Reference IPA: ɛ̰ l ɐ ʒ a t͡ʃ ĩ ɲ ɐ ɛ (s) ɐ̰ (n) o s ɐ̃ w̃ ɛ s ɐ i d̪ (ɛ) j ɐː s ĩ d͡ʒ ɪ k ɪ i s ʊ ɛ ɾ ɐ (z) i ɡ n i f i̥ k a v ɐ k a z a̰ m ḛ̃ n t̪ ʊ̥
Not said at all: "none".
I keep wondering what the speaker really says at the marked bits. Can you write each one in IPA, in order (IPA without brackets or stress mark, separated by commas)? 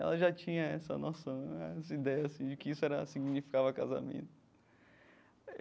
s, n, ɛ, s